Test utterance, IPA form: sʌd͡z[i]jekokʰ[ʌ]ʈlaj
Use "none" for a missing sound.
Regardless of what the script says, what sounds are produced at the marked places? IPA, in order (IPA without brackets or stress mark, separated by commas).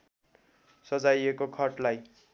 a, ʌ